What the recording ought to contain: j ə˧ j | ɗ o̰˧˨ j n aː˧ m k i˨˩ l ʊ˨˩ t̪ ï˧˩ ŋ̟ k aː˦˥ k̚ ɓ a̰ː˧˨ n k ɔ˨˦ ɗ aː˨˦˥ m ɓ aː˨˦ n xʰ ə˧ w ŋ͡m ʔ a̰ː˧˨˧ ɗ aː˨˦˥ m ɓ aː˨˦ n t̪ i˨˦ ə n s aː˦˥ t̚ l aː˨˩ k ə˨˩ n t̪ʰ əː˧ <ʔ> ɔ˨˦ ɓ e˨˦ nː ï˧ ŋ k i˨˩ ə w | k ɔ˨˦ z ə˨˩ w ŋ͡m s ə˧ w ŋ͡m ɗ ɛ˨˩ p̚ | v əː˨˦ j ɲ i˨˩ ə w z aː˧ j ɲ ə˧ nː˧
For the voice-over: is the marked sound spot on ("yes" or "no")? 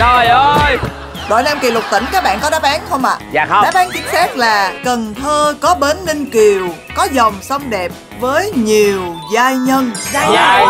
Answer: no